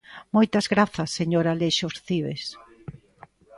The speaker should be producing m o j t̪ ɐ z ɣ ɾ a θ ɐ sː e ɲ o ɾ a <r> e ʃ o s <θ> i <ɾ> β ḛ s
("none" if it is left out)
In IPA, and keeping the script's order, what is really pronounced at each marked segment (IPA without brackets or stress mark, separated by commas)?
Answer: l, θ, none